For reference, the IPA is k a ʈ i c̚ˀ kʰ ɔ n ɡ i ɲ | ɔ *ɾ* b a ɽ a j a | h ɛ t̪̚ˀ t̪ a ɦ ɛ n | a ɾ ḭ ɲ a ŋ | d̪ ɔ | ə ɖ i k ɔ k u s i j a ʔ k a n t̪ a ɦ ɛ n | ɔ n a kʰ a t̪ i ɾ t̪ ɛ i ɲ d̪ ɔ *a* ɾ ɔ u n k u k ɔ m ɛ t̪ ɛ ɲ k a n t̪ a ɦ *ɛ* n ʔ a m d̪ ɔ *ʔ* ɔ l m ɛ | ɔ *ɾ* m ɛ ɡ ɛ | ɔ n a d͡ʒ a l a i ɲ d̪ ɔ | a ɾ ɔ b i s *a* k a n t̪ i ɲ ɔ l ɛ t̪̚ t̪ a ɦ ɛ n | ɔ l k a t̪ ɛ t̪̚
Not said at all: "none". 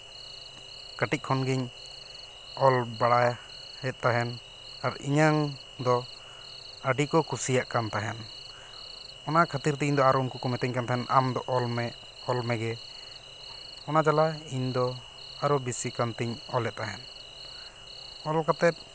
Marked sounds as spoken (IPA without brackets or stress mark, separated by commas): l, a, ɛ, ʔ, l, i